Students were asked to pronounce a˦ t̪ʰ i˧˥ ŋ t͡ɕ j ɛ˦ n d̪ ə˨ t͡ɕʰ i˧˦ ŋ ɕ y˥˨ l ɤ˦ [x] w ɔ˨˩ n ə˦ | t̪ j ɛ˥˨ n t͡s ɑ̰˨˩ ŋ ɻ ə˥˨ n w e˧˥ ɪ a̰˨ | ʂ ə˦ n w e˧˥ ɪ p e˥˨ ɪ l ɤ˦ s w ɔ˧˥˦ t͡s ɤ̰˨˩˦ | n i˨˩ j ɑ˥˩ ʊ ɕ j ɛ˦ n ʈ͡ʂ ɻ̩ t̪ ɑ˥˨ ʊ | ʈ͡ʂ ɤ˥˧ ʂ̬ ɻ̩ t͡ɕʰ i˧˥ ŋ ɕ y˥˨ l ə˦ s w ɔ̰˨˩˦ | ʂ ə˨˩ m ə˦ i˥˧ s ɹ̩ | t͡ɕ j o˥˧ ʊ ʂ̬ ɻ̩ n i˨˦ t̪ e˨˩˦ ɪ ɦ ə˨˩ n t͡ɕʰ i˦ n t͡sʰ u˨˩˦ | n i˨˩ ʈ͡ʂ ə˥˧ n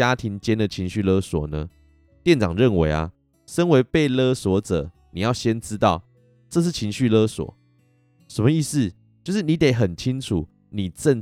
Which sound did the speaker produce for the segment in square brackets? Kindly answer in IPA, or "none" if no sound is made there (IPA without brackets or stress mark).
s